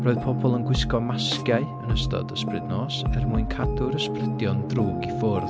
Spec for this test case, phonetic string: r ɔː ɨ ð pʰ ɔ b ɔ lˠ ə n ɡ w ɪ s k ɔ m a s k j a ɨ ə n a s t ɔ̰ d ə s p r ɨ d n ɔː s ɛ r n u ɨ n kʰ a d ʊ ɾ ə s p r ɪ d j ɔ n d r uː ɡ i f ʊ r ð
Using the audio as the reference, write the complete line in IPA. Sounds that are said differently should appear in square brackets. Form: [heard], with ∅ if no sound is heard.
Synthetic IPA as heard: r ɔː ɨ ð pʰ ɔ b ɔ lˠ ə n ɡ w ɪ s k ɔ m a s k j a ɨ ə n [ə] s t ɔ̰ d ə s p r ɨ d n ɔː s ɛ r [m] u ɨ n kʰ a d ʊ ɾ ə s p r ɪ d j ɔ n d r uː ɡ i f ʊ r ð